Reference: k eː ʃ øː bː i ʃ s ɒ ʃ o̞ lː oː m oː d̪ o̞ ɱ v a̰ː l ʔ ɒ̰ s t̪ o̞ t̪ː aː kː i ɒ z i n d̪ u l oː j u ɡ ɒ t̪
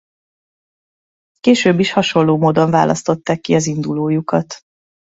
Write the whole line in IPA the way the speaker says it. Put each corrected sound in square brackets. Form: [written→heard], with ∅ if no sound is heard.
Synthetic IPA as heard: k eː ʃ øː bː i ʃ [s→h] ɒ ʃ o̞ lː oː m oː d̪ o̞ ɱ v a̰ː l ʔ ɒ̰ s t̪ o̞ t̪ː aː kː i ɒ z i n d̪ u l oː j u [ɡ→k] ɒ t̪